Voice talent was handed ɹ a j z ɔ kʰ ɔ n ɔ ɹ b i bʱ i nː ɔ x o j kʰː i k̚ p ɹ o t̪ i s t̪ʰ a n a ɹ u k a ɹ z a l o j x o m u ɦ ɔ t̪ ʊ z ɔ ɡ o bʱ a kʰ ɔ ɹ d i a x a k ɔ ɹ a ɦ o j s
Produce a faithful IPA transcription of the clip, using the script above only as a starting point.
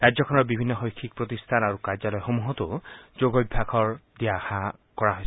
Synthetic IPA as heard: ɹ a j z ɔ kʰ ɔ n ɔ ɹ b i bʱ i nː ɔ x o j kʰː i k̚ p ɹ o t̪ i s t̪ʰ a n a ɹ u k a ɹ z a l ɔ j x o m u ɦ ɔ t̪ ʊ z o ɡ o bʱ a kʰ ɔ ɹ d i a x a k ɔ ɹ a ɦ o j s